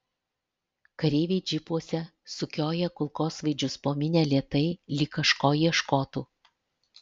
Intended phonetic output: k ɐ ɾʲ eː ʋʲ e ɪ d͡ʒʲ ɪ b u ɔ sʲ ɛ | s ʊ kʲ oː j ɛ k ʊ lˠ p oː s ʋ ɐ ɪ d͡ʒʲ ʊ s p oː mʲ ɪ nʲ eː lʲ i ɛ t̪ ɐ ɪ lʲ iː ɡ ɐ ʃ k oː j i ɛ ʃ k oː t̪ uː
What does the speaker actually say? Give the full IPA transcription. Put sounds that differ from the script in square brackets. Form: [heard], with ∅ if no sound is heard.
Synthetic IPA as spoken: k ɐ ɾʲ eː ʋʲ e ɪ d͡ʒʲ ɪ [p] u ɔ sʲ ɛ | s ʊ kʲ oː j ɛ k ʊ lˠ [k] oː s ʋ ɐ ɪ d͡ʒʲ ʊ s p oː mʲ ɪ nʲ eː lʲ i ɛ t̪ ɐ ɪ lʲ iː [k] ɐ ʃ k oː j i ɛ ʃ k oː t̪ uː